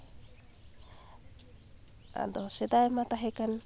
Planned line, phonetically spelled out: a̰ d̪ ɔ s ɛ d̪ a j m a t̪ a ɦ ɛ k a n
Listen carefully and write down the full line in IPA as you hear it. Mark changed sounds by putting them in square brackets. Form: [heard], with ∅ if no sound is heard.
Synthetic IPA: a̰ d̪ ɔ s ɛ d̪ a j m a t̪ a ɦ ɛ k a n